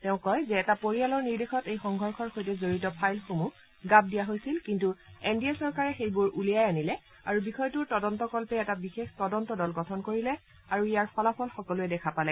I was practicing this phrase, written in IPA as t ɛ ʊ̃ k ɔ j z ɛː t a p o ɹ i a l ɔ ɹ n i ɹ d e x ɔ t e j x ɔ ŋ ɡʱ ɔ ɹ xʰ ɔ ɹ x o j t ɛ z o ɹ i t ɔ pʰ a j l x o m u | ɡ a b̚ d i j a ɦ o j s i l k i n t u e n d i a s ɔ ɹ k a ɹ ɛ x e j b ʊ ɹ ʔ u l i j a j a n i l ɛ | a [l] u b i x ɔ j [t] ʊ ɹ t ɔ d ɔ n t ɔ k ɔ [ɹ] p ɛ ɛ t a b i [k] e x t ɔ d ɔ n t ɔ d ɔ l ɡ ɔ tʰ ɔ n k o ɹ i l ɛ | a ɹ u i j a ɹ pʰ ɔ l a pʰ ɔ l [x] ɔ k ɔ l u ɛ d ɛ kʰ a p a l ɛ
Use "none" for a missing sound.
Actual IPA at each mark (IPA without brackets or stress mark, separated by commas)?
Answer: ɹ, t, l, x, x